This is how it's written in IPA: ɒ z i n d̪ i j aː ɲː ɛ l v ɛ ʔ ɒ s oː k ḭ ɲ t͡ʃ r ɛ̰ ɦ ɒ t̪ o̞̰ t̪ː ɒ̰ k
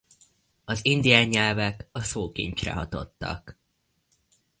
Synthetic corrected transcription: ɒ z i n d̪ i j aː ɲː ɛ l v ɛ k ɒ s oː k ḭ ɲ t͡ʃ r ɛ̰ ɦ ɒ t̪ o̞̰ t̪ː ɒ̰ k